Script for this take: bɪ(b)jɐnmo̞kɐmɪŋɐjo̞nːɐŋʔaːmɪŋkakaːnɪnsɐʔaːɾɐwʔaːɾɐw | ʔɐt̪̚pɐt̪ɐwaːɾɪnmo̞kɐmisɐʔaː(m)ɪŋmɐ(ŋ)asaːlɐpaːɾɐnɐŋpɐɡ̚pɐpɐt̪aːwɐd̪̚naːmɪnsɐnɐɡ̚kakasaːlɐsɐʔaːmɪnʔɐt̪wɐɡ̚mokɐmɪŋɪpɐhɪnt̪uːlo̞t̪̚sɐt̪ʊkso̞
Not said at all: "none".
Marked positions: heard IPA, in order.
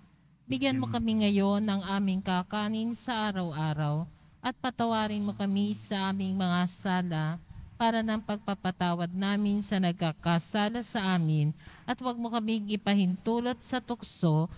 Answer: ɡ, m, ŋ

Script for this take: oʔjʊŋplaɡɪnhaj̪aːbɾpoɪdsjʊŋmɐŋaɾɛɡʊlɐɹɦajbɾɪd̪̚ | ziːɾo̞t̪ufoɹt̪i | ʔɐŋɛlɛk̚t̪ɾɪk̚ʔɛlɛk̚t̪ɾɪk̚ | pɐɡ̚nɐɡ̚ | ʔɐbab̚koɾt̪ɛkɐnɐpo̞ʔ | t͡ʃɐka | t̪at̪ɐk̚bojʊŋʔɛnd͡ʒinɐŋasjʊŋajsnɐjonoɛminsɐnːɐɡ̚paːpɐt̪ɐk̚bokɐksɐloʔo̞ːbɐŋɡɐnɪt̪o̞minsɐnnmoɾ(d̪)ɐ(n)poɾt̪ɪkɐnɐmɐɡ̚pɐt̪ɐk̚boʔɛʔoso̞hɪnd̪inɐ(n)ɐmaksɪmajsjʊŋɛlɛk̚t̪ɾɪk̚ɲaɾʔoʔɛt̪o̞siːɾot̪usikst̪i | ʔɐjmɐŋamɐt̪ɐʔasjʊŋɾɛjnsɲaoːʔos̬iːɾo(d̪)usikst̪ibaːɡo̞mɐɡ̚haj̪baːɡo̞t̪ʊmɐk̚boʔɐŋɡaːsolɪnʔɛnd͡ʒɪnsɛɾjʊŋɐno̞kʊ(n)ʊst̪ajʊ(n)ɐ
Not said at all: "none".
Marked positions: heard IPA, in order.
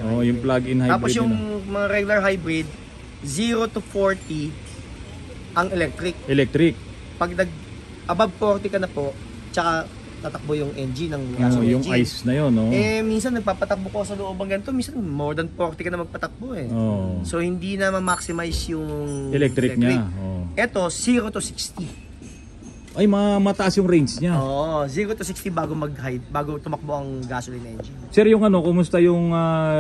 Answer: d̪, n, m, t̪, m, ŋ

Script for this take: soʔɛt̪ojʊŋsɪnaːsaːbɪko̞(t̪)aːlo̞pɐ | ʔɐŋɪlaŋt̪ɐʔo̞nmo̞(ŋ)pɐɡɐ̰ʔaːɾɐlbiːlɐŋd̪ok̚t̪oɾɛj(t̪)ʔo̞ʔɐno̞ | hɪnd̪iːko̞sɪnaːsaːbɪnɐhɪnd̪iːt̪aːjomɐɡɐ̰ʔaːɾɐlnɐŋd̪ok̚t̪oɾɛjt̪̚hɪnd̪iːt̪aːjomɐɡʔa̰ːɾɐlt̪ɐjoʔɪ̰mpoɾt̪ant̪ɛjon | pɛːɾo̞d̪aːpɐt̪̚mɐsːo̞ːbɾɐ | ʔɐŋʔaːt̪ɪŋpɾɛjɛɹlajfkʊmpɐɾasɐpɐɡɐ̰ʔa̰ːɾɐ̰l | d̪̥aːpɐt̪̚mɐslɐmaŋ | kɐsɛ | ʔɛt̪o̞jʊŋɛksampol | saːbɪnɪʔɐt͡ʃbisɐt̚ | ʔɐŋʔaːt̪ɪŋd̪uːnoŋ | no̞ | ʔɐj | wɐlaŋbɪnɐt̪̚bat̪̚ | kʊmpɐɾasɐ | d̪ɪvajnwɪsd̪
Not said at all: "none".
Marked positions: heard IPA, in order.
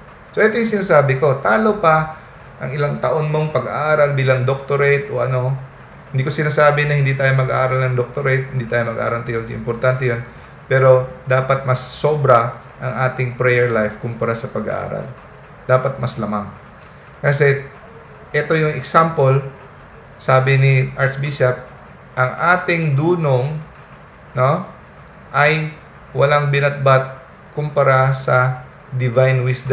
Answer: t̪, ŋ, t̪

